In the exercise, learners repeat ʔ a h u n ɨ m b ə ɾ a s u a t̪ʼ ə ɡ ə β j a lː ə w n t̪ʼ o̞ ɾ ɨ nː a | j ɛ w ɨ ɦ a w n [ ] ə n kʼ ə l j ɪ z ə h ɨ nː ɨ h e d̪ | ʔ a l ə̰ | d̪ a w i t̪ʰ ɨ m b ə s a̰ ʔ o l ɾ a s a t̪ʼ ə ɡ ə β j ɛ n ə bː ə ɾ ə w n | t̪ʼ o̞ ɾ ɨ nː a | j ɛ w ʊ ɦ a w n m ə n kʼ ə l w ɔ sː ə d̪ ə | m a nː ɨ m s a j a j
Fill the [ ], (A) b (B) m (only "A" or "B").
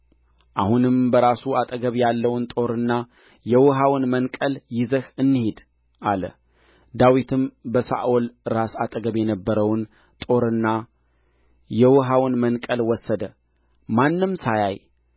B